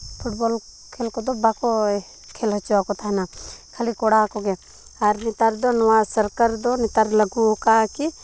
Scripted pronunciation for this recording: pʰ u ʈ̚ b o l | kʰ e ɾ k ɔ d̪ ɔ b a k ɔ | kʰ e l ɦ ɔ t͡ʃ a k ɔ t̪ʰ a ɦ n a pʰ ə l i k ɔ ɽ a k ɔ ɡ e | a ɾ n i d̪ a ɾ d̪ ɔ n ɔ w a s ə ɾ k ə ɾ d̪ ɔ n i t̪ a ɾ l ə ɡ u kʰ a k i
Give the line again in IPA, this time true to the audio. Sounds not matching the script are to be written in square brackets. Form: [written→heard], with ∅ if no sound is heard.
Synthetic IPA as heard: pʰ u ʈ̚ b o l | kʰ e [ɾ→l] k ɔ d̪ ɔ b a k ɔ | kʰ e l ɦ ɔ t͡ʃ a k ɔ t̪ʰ a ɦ n a [pʰ→kʰ] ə l i k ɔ ɽ a k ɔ ɡ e | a ɾ n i [d̪→t̪] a ɾ d̪ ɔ n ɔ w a s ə ɾ k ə ɾ d̪ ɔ n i t̪ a ɾ l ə ɡ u [kʰ→k] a k i

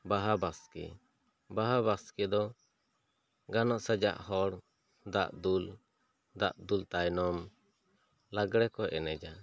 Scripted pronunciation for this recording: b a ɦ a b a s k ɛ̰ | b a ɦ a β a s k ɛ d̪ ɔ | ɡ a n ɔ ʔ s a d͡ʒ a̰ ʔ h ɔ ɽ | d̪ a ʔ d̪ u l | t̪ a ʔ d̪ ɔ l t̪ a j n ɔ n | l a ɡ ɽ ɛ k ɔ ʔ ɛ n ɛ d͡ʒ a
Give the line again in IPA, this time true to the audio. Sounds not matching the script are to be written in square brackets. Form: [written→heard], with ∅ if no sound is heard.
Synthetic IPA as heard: b a ɦ a b a s k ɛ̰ | b a ɦ a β a s k ɛ d̪ ɔ | ɡ a n ɔ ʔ s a d͡ʒ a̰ ʔ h ɔ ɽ | d̪ a ʔ d̪ u l | [t̪→d̪] a ʔ d̪ [ɔ→u] l t̪ a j n ɔ [n→m] | l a ɡ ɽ ɛ k ɔ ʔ ɛ n ɛ d͡ʒ a

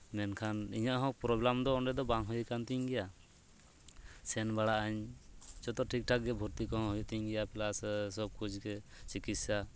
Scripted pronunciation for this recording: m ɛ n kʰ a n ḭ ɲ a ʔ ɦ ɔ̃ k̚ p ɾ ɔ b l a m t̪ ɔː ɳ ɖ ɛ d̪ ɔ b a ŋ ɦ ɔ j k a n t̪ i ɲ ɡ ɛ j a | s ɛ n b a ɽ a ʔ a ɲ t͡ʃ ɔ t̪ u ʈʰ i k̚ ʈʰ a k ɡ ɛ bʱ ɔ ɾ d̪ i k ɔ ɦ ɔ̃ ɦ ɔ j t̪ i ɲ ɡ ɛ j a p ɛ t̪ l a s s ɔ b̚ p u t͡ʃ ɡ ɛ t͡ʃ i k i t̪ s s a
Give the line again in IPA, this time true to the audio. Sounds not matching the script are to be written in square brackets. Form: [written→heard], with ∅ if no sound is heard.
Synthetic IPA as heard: m ɛ n kʰ a n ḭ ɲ a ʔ ɦ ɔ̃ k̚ p ɾ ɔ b l a m [t̪→d̪] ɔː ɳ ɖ ɛ d̪ ɔ b a ŋ ɦ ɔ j k a n t̪ i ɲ ɡ ɛ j a | s ɛ n b a ɽ a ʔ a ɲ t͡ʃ ɔ t̪ [u→ɔ] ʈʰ i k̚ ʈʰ a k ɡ ɛ bʱ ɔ ɾ [d̪→t̪] i k ɔ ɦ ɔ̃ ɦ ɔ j t̪ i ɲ ɡ ɛ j a p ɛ [t̪→∅] l a s s ɔ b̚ [p→k] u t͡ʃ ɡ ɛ t͡ʃ i k i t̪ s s a

